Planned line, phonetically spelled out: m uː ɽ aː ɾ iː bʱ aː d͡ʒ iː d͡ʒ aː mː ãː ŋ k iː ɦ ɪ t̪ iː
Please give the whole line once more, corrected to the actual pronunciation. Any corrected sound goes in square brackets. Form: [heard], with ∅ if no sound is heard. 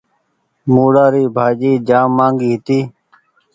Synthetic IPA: m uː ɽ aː ɾ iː bʱ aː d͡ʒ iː d͡ʒ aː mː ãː ŋ [ɡ] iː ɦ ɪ t̪ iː